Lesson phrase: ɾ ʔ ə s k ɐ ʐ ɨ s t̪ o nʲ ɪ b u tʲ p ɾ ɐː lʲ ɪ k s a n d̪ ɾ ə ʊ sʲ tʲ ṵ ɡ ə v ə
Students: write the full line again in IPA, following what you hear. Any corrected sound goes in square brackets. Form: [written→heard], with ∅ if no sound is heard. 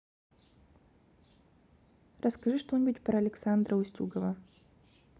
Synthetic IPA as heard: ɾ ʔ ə s k ɐ ʐ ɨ [s→ʂ] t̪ o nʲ ɪ b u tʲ p ɾ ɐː lʲ ɪ k s a n d̪ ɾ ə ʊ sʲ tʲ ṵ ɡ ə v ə